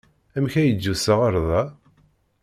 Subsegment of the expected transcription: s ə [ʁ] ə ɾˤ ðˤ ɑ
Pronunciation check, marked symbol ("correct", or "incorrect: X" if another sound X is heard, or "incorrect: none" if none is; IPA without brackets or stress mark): correct